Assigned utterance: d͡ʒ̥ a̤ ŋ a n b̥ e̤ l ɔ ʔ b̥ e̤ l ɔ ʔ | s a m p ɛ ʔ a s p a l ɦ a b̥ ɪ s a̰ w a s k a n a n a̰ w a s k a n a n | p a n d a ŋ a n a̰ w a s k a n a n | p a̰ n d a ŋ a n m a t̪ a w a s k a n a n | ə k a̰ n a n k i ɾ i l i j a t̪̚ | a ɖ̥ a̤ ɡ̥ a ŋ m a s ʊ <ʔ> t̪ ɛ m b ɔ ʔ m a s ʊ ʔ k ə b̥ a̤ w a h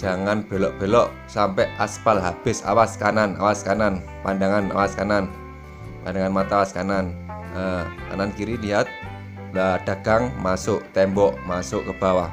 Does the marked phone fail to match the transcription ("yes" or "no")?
no